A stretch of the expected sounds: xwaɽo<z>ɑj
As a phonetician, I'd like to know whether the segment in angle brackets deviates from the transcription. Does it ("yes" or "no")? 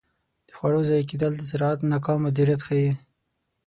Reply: no